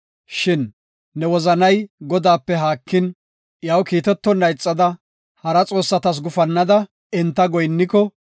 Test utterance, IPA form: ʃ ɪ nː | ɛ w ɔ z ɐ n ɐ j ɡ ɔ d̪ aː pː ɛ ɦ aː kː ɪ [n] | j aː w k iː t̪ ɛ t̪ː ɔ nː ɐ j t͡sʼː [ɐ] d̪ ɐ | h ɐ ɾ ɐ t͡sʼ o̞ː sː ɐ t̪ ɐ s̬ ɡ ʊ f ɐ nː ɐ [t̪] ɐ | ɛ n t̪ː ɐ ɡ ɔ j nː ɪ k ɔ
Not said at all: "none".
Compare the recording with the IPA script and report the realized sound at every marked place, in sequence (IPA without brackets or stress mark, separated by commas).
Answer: n, ɐ, d̪